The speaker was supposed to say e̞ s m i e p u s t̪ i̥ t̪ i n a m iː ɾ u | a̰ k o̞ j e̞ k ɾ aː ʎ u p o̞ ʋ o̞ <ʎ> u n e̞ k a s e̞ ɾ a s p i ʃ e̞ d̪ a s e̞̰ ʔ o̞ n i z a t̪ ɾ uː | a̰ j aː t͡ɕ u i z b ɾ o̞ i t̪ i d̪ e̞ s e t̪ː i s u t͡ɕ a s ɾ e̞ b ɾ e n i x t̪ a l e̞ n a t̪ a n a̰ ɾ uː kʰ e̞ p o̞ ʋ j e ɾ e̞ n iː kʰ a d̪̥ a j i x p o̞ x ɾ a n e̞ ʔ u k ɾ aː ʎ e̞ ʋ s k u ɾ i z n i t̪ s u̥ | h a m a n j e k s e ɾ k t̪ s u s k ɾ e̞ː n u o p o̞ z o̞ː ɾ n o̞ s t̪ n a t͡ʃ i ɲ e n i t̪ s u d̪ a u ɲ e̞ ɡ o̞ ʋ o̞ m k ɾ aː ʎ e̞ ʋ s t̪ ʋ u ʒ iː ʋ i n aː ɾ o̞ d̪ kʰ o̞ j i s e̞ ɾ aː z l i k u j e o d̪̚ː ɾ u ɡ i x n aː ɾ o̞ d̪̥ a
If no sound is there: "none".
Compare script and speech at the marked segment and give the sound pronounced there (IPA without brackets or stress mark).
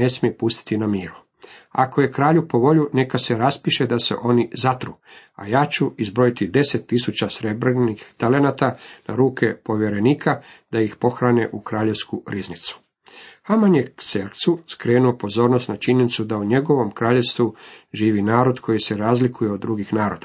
ʎ